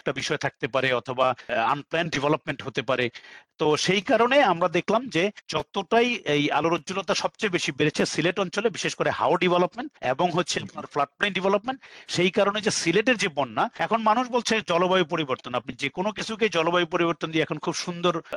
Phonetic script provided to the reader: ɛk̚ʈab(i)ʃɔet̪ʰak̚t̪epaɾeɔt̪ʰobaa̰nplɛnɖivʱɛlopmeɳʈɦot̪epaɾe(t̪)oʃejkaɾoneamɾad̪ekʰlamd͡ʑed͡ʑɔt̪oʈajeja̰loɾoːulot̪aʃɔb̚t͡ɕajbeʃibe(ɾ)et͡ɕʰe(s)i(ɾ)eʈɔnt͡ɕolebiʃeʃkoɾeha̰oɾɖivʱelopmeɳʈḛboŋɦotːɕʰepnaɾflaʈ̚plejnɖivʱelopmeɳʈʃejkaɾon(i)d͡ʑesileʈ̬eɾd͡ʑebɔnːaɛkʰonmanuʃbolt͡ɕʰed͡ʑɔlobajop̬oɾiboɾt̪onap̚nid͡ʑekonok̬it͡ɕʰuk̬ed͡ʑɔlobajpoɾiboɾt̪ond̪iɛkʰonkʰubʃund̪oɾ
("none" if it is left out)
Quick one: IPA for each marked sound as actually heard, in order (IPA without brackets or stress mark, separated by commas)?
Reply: i, t̪, ɾ, s, l, e